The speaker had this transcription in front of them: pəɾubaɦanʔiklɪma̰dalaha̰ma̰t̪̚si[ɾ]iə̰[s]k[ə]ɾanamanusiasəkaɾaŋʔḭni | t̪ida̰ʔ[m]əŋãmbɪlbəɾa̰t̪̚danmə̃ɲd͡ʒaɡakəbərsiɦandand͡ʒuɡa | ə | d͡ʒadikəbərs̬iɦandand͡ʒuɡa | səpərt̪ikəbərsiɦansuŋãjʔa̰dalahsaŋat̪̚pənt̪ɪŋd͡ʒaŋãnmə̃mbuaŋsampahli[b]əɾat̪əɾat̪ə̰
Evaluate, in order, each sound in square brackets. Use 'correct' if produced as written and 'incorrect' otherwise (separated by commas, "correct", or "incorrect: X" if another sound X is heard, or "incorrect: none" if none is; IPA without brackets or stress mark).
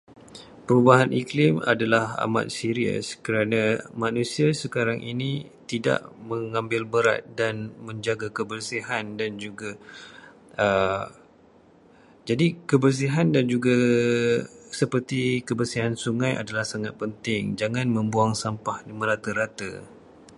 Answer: correct, correct, correct, correct, incorrect: m